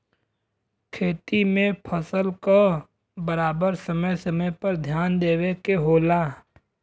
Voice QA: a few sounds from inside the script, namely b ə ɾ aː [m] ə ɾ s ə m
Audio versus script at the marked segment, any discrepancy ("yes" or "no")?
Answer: yes